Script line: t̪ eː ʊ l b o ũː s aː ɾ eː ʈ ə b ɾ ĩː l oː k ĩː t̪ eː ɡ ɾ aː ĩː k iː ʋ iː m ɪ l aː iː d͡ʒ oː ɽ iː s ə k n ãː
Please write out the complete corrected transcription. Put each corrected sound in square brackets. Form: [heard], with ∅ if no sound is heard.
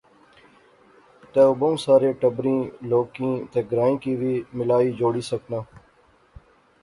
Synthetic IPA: t̪ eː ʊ [∅] b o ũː s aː ɾ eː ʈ ə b ɾ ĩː l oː k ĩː t̪ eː ɡ ɾ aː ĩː k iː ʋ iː m ɪ l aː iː d͡ʒ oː ɽ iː s ə k n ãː